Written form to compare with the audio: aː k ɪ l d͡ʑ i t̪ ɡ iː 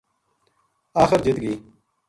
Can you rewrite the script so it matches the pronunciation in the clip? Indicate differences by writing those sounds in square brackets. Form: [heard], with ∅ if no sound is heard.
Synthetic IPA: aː [x] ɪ [ɾ] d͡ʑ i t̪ ɡ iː